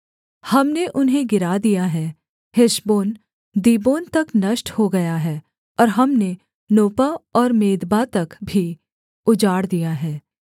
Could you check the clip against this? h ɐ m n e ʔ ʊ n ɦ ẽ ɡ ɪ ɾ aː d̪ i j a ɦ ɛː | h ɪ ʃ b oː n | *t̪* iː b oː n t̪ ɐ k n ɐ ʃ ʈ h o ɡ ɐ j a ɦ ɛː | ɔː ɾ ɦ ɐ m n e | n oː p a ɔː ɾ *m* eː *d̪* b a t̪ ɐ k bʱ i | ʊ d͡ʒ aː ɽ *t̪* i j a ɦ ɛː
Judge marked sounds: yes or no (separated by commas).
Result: no, yes, yes, no